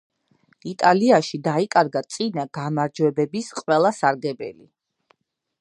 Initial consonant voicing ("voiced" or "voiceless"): voiceless